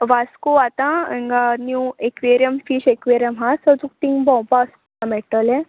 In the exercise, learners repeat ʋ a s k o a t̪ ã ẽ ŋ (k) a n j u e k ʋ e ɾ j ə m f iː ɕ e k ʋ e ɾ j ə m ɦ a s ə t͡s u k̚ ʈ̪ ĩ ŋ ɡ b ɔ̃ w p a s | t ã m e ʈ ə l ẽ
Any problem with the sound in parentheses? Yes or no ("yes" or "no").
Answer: yes